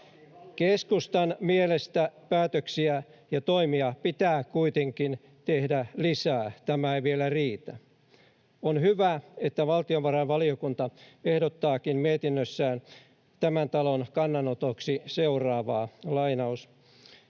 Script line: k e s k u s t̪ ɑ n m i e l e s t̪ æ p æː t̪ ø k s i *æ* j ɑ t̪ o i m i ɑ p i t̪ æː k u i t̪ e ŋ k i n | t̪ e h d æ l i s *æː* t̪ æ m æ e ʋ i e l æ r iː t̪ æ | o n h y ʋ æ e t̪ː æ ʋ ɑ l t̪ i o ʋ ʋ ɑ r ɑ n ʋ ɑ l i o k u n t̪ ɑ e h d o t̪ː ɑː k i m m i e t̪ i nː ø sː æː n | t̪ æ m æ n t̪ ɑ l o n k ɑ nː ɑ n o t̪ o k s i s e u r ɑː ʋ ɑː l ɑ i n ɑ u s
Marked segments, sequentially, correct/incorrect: correct, correct

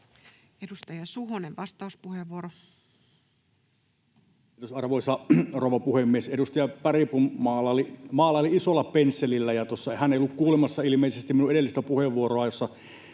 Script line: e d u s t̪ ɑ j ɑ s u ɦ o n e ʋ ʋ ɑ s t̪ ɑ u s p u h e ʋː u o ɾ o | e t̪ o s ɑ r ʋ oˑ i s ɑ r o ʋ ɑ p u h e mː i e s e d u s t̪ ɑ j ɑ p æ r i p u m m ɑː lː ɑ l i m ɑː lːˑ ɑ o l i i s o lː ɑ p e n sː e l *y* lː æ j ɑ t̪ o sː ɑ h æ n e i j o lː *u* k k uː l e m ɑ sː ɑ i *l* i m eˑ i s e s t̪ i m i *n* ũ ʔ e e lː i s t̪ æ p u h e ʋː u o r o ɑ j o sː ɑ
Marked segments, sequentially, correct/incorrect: incorrect, correct, correct, correct

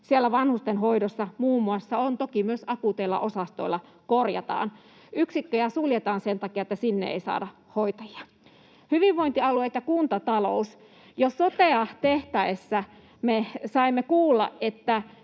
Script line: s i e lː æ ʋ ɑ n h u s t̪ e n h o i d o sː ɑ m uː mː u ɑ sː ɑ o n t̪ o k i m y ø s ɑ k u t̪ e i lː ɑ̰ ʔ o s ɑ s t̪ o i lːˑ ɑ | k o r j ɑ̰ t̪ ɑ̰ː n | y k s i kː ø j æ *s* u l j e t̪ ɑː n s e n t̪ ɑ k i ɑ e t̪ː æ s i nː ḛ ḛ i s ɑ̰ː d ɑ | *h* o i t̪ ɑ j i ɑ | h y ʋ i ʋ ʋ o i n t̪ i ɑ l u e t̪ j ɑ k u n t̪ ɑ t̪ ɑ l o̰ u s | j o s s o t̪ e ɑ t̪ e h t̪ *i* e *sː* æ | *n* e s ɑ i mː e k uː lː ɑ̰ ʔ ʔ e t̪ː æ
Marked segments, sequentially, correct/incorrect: correct, correct, incorrect, correct, incorrect

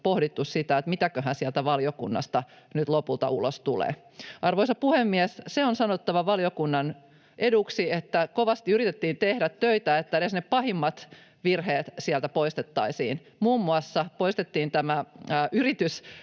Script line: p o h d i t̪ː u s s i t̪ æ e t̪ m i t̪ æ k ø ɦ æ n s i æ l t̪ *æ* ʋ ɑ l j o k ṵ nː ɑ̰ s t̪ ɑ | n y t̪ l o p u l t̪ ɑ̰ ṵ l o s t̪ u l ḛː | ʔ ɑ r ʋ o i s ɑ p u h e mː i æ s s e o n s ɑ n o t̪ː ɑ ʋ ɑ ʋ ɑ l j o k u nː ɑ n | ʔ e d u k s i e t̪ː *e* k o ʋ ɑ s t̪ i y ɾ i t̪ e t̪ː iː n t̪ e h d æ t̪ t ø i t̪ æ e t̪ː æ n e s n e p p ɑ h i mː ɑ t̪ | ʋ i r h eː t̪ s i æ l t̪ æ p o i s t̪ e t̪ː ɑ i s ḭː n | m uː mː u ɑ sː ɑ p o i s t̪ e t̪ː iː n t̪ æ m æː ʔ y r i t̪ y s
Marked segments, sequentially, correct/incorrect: correct, incorrect

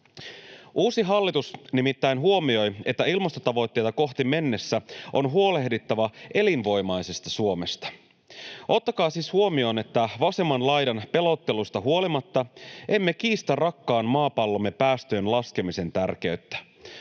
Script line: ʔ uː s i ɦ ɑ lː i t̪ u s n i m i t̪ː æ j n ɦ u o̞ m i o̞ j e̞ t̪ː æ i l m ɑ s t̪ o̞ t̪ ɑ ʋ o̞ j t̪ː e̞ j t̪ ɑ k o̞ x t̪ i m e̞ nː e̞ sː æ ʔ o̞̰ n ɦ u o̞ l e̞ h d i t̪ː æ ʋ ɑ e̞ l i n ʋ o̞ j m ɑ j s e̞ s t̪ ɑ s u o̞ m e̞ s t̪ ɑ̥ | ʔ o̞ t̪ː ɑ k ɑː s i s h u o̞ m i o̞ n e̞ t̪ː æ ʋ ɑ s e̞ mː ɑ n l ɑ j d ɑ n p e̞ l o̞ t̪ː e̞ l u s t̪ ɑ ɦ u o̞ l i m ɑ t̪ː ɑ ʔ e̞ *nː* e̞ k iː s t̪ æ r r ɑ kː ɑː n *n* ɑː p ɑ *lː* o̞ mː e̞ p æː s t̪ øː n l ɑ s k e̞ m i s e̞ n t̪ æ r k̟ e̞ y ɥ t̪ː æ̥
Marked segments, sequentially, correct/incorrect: incorrect, incorrect, correct

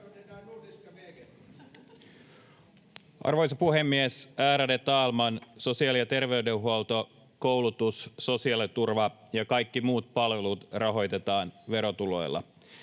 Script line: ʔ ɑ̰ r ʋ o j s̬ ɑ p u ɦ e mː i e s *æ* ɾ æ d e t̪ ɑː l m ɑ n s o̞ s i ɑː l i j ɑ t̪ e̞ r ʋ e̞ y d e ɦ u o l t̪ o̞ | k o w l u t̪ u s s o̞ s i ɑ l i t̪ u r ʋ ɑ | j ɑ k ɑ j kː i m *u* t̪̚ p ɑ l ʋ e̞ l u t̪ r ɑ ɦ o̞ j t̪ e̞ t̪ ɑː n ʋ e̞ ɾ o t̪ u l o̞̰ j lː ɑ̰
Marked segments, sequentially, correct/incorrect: incorrect, incorrect

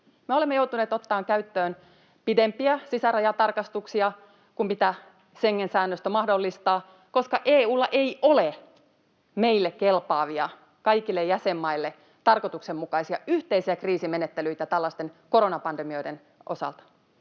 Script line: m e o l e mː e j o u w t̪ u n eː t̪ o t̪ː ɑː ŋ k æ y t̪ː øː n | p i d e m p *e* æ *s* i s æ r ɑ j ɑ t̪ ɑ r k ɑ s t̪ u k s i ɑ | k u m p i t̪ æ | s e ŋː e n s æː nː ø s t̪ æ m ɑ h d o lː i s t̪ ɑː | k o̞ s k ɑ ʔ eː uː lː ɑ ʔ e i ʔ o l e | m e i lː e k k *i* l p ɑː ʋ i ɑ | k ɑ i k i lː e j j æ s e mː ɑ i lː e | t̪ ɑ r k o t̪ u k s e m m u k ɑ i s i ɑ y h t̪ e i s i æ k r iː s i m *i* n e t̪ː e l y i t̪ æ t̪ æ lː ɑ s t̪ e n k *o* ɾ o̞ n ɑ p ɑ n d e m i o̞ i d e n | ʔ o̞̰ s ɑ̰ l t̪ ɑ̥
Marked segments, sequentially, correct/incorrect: incorrect, correct, incorrect, incorrect, correct

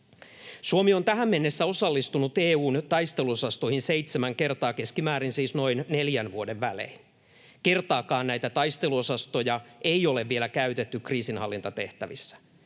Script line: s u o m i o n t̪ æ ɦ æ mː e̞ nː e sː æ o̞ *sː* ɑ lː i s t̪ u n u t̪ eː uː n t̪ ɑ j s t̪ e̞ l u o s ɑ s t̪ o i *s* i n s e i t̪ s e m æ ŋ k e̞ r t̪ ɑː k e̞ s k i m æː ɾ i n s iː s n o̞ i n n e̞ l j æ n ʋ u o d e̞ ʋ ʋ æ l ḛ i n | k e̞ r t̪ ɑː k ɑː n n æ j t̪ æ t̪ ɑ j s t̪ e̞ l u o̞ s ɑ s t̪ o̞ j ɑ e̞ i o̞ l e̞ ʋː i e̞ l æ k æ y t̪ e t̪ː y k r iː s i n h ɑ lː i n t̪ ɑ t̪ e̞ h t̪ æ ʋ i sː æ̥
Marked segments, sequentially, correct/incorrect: incorrect, incorrect

